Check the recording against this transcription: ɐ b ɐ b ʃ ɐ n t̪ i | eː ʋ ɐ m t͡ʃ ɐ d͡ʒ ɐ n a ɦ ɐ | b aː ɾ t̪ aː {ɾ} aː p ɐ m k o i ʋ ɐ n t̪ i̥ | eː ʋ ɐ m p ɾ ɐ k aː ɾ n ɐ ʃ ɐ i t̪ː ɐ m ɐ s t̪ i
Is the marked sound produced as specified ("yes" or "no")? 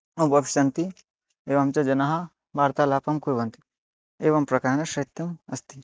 no